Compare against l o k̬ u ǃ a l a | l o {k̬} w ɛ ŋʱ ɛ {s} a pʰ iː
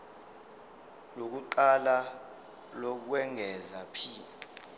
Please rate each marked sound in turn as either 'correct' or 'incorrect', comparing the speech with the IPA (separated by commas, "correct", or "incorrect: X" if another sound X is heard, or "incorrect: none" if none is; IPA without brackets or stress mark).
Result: correct, incorrect: z